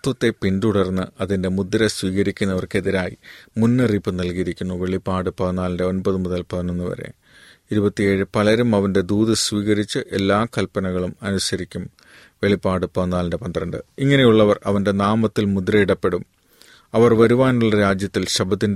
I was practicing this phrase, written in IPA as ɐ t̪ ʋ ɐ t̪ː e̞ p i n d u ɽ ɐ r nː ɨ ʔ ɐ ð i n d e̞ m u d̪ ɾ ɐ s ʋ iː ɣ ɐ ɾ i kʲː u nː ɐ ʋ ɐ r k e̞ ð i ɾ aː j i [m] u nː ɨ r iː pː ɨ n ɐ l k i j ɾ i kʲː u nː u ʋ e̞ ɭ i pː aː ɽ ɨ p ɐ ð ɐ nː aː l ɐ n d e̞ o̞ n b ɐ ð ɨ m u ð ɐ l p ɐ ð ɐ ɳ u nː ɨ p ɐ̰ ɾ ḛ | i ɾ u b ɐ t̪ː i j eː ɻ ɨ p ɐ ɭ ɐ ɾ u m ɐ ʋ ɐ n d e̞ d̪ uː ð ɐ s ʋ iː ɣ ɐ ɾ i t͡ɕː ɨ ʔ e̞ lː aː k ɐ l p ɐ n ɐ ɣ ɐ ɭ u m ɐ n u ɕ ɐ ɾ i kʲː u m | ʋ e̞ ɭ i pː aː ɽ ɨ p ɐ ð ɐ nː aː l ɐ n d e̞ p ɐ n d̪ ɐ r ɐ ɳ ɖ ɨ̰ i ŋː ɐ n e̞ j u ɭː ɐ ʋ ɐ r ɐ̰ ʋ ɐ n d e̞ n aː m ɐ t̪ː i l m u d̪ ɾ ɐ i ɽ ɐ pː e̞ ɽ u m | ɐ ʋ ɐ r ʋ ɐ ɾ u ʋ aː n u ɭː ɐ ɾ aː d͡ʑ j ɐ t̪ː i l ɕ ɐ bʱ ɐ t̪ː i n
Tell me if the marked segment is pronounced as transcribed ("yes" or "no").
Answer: yes